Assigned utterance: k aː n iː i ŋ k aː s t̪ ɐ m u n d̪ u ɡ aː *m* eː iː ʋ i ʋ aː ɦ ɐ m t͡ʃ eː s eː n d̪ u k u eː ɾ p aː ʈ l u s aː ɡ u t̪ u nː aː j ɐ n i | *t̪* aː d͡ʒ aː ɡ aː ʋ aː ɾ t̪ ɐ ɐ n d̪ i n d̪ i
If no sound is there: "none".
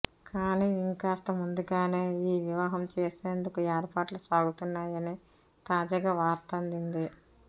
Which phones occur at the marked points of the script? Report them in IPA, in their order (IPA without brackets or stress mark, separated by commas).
n, t̪